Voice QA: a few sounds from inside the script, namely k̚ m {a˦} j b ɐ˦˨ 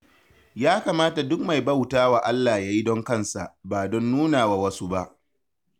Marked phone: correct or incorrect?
incorrect